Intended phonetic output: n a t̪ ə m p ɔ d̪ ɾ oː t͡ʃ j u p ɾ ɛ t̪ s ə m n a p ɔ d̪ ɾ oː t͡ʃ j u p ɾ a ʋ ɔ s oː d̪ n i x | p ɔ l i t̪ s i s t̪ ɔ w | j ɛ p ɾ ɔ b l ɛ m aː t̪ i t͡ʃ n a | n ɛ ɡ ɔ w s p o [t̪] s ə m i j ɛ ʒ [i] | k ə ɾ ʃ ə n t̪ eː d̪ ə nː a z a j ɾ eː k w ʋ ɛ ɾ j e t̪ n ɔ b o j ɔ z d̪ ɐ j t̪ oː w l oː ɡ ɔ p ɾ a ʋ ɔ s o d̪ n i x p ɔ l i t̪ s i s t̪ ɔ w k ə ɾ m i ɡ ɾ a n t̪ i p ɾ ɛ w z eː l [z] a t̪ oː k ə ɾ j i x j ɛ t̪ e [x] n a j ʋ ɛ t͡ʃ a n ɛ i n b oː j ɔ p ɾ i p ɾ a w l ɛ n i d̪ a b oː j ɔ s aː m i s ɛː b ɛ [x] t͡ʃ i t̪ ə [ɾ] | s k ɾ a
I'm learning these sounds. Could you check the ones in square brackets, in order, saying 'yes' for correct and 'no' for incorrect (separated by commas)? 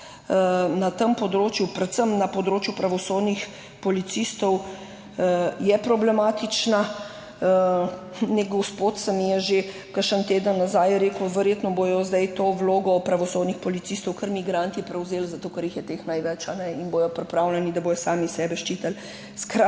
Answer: yes, no, yes, yes, no, no